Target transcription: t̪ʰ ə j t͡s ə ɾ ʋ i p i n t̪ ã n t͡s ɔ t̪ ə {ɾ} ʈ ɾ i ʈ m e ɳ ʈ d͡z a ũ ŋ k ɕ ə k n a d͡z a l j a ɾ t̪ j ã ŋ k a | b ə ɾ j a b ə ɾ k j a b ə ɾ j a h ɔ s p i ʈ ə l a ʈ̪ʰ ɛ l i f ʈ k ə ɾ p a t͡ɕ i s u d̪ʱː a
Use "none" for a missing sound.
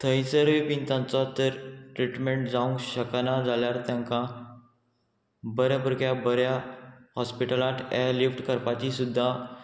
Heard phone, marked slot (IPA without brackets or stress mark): ɾ